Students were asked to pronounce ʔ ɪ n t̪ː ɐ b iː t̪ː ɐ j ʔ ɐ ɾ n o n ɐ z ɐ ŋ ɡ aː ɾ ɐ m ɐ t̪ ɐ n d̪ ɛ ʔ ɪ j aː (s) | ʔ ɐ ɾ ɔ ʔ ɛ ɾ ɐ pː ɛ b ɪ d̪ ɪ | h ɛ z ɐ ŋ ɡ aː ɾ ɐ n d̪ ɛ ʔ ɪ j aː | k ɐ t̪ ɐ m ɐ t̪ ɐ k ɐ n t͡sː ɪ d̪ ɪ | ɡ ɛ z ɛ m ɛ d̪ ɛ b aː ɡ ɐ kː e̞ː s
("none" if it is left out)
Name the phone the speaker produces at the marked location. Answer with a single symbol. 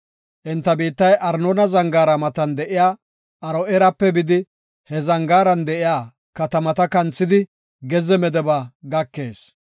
none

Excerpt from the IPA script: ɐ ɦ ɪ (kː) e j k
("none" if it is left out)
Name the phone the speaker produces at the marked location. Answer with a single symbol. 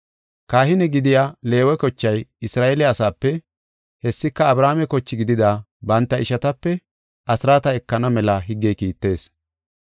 ɡː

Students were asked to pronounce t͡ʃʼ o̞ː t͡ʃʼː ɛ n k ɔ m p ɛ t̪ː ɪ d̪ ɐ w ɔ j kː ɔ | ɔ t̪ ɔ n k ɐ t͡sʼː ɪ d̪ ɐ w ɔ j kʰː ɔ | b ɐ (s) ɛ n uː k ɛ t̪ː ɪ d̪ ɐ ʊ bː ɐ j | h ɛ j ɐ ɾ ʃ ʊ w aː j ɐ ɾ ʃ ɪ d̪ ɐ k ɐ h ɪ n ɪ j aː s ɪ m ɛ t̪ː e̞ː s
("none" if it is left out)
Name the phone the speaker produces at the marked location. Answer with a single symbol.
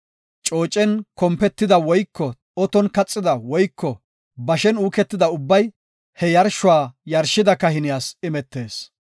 ʃ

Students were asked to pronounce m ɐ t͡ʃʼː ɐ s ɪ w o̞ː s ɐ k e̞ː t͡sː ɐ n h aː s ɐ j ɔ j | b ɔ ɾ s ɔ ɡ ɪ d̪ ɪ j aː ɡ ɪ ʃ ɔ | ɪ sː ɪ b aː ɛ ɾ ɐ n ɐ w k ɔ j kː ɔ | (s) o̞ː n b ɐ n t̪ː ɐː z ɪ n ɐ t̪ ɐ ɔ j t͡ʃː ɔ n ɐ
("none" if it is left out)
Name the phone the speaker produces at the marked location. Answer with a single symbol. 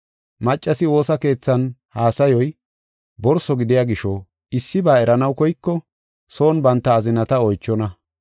s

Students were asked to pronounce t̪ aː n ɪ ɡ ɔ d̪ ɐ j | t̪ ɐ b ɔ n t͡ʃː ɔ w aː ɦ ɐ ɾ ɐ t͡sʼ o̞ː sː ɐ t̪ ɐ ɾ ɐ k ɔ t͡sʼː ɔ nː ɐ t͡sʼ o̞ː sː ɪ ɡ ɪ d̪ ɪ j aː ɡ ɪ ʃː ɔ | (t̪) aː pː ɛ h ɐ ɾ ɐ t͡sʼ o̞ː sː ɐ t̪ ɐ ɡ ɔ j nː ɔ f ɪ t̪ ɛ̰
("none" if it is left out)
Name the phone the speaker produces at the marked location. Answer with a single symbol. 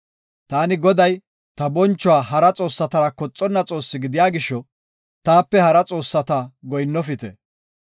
t̪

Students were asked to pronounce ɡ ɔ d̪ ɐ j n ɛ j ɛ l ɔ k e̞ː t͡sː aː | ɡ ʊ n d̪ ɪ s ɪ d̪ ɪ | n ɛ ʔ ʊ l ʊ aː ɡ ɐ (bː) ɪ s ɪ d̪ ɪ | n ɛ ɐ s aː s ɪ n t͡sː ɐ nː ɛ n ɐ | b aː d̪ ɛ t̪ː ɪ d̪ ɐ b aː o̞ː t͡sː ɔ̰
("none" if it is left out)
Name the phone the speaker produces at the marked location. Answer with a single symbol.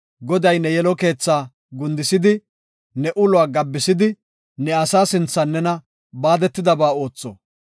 bː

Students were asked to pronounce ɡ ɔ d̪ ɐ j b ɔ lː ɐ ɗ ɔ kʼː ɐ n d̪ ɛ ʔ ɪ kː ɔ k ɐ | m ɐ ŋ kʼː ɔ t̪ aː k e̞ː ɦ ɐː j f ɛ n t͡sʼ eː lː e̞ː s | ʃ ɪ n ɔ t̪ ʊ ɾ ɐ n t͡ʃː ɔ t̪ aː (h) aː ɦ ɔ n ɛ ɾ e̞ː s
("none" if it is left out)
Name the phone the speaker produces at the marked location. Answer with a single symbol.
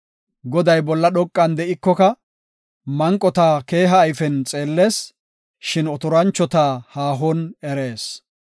h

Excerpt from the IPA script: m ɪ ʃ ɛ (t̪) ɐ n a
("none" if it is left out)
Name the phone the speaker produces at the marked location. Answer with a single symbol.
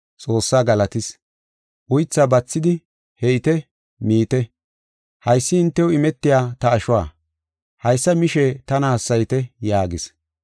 t̪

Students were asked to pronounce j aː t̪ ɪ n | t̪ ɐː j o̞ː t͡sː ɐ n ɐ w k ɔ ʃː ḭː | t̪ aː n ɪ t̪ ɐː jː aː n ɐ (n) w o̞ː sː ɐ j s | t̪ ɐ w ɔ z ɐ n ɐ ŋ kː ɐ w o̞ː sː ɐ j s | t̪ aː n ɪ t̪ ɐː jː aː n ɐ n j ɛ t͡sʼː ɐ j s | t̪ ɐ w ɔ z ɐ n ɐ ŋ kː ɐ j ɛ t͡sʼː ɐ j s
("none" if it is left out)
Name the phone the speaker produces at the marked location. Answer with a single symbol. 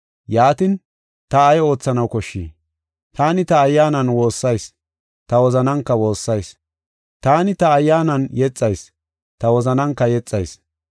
n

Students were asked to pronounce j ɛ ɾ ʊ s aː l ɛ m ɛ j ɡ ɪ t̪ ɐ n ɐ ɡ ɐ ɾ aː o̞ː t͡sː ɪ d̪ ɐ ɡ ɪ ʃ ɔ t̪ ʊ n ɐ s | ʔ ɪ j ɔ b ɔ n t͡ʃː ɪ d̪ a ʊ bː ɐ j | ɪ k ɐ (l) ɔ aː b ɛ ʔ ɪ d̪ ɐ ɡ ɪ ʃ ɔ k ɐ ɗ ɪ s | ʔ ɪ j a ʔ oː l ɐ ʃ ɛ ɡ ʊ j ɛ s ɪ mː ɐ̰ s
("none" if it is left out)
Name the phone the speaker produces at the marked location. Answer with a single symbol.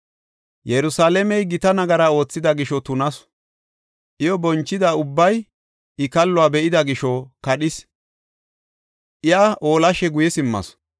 lː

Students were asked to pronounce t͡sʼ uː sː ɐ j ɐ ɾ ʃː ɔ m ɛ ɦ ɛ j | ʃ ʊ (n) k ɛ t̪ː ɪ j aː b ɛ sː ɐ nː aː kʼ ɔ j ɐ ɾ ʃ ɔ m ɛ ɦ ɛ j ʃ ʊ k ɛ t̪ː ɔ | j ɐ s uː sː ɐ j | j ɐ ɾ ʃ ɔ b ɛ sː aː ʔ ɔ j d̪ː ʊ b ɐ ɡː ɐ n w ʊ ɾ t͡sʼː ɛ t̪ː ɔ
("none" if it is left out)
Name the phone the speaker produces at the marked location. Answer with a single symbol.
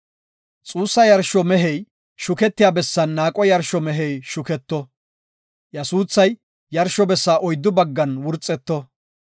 none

